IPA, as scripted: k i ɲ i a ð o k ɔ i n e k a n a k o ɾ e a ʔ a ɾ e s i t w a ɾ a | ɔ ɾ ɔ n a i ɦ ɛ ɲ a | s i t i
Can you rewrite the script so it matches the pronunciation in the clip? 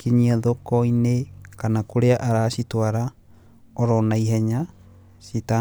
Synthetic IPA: k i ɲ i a ð o k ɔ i n e k a n a k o ɾ e a ʔ a ɾ a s i t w a ɾ a | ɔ ɾ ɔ n a i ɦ ɛ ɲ a | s i t a